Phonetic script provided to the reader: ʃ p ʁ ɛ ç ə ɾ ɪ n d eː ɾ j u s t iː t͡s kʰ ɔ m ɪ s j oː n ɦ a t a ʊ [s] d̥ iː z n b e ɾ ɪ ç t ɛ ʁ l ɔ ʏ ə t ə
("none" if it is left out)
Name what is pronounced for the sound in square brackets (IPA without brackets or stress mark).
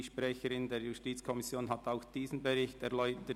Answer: x